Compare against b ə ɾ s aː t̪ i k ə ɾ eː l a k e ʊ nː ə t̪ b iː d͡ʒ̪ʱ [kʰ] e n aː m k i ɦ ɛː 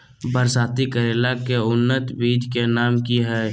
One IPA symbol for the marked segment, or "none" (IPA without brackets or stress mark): k